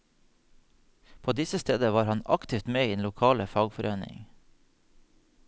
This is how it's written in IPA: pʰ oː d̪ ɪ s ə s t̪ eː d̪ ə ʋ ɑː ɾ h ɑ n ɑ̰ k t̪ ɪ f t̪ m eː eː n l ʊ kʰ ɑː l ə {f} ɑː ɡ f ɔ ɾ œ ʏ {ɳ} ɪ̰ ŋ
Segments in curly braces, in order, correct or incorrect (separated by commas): correct, incorrect